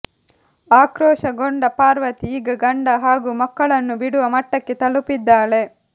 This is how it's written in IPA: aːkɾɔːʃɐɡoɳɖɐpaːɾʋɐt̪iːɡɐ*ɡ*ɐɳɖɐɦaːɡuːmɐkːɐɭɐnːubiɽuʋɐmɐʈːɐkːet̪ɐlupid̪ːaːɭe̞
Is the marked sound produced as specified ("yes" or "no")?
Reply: yes